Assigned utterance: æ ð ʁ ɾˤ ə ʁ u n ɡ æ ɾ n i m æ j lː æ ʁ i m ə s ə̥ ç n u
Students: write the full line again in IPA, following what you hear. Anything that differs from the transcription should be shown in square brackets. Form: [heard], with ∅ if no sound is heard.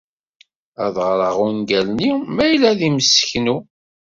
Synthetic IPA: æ ð ʁ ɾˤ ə ʁ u n ɡ æ [l] n i m æ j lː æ [ð] i m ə s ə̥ ç n u